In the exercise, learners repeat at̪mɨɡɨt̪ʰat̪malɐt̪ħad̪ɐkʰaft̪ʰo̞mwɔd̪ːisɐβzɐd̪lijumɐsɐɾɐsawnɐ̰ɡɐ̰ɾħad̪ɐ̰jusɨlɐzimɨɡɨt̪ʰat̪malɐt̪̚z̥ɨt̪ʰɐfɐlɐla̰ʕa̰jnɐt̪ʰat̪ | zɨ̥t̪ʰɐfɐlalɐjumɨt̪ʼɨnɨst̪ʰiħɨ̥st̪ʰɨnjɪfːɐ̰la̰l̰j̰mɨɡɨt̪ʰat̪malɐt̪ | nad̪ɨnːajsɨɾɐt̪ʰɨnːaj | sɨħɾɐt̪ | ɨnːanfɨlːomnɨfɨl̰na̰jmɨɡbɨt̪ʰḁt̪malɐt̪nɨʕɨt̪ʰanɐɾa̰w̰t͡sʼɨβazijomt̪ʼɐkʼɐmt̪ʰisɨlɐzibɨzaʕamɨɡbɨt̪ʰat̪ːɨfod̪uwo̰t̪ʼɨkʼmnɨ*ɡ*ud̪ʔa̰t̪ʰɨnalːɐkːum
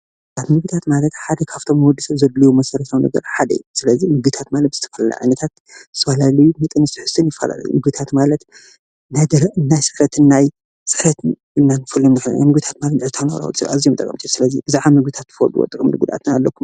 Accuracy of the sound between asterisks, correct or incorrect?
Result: correct